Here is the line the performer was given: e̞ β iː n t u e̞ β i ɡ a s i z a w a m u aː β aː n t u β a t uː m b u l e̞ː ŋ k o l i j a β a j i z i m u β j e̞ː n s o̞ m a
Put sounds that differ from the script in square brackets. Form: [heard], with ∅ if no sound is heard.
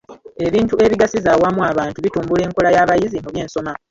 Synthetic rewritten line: e̞ β iː n t u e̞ β i ɡ a s i z a w a m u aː β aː n t u β [i] t uː m b u l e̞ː ŋ k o l [a] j a β a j i z i m u β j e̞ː n s o̞ m a